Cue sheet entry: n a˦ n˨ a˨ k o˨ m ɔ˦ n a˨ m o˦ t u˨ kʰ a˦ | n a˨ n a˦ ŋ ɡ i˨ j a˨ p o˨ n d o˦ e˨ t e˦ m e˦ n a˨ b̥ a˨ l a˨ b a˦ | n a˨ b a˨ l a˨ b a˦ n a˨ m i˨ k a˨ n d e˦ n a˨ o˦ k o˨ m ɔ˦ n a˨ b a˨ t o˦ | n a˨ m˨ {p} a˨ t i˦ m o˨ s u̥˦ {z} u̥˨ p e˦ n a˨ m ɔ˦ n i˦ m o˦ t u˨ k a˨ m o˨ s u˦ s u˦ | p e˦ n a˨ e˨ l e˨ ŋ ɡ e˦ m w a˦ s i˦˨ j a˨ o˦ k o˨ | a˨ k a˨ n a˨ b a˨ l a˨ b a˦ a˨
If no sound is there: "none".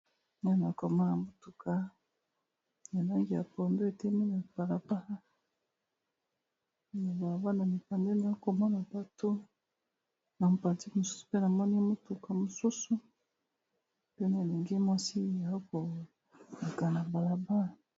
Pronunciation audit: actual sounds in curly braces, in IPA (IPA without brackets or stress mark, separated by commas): p, s